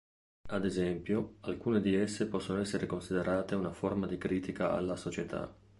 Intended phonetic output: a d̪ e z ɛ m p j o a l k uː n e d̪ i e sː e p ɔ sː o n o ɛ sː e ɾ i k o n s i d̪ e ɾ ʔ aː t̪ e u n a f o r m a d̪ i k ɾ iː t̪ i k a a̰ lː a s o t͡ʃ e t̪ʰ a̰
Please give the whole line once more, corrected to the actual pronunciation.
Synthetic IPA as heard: a d̪ e z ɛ m p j o a l k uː n e d̪ i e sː e p ɔ sː o n o ɛ sː e ɾ e k o n s i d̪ e ɾ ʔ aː t̪ e u n a f o r m a d̪ i k ɾ iː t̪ i k a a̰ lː a s o t͡ʃ e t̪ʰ a̰